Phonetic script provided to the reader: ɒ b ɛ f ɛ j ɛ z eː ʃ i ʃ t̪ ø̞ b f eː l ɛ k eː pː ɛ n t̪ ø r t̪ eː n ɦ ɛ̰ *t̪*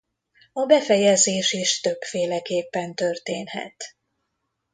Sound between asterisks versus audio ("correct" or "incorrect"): correct